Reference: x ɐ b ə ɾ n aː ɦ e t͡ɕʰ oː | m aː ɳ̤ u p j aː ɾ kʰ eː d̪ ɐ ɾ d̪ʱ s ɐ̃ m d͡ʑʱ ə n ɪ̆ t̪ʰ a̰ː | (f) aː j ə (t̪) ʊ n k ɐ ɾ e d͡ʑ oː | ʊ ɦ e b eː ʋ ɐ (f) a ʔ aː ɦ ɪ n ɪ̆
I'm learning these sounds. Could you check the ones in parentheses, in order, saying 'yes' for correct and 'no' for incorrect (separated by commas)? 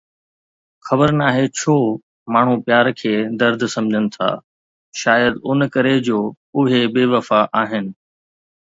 no, no, yes